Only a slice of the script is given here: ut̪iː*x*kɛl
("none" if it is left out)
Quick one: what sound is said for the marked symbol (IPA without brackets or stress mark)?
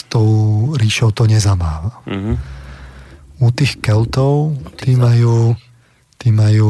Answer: x